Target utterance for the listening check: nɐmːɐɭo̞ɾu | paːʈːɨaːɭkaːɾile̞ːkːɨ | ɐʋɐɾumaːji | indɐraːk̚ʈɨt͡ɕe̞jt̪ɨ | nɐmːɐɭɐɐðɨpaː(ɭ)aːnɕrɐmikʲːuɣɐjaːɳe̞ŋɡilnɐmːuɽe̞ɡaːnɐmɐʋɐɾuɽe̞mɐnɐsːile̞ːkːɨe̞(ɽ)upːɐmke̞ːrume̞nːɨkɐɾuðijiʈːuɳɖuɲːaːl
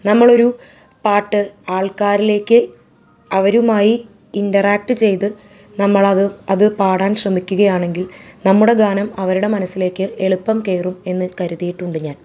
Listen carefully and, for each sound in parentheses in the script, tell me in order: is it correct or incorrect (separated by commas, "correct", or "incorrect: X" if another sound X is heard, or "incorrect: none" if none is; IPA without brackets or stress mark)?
incorrect: ɽ, incorrect: ɭ